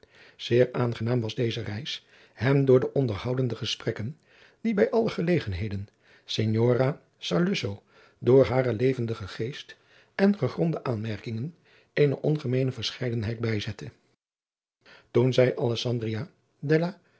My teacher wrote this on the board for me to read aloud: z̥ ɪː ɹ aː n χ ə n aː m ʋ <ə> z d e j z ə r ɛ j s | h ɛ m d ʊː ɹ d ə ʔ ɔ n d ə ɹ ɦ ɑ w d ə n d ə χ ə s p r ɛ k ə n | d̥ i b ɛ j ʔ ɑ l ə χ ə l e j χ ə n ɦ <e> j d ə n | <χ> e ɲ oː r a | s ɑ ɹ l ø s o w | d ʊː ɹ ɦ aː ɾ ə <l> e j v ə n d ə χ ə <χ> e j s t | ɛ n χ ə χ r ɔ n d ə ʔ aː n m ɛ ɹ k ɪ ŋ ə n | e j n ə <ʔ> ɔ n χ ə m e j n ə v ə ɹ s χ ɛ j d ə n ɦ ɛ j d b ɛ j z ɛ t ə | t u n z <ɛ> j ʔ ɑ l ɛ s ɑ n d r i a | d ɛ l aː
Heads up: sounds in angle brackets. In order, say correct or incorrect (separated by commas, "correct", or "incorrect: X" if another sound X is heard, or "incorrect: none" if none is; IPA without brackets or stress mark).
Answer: incorrect: ɑ, correct, incorrect: s, correct, correct, correct, correct